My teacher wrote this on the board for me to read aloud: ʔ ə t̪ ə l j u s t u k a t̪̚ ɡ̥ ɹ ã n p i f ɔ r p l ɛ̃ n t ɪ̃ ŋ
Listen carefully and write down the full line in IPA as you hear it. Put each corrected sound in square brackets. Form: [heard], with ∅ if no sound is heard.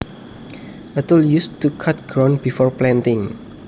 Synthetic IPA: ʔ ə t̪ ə l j u s t u [kʰ] a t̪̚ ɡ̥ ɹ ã n [b] i f ɔ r p l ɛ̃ n t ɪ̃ ŋ